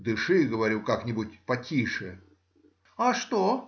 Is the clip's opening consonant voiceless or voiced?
voiced